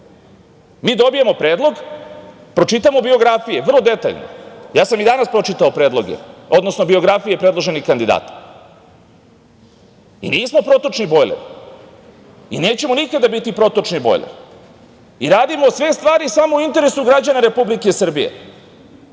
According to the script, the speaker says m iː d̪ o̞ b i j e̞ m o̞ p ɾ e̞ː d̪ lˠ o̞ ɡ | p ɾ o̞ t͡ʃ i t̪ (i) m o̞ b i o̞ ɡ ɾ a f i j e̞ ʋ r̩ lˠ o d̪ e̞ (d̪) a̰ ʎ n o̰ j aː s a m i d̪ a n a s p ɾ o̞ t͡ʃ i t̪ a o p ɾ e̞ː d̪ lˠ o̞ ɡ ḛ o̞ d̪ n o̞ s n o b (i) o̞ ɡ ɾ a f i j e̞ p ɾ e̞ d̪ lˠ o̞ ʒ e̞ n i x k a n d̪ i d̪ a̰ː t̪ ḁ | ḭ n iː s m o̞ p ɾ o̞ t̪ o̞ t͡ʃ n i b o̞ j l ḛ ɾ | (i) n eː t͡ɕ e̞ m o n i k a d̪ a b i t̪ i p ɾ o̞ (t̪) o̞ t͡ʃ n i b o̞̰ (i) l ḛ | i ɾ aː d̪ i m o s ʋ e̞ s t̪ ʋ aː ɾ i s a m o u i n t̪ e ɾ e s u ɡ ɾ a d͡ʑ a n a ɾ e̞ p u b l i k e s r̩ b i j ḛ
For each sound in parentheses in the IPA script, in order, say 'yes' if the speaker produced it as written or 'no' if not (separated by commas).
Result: no, no, yes, yes, yes, no